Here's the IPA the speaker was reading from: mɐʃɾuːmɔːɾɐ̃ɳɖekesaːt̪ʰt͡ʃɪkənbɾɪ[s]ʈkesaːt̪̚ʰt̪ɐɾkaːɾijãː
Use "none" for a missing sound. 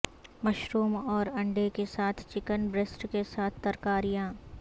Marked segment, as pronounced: s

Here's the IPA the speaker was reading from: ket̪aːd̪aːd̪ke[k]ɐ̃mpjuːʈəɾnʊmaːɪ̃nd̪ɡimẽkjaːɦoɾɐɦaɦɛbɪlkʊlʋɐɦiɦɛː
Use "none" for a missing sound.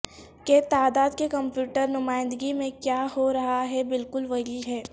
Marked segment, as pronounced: k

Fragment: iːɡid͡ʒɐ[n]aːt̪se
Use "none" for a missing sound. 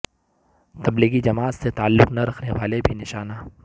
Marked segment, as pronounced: m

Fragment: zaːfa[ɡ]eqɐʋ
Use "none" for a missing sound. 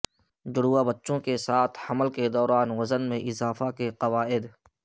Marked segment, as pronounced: k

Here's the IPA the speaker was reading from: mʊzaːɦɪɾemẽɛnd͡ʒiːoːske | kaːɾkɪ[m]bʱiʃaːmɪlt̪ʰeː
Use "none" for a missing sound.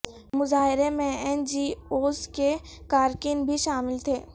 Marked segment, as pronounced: n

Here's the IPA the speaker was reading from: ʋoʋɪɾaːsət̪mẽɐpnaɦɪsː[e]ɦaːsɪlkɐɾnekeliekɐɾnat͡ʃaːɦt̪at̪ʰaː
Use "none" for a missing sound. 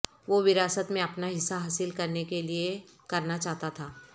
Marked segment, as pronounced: a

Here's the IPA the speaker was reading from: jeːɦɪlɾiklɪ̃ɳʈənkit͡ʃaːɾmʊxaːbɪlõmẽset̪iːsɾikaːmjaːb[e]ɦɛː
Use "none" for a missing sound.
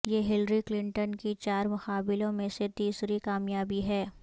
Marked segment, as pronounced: i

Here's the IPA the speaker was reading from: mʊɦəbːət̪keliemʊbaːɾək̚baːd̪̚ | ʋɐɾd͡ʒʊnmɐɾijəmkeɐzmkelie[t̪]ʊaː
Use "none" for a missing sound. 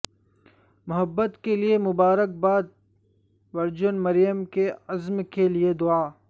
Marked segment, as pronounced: d̪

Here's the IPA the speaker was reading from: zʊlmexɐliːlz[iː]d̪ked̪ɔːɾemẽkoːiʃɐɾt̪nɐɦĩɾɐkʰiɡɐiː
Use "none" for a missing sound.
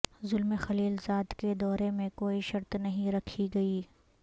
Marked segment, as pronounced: aː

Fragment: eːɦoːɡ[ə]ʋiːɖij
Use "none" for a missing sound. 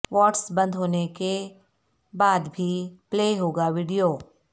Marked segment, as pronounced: a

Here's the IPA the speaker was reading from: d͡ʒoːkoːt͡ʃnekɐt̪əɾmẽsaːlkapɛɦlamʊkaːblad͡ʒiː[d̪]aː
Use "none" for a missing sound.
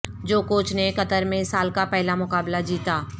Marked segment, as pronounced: t̪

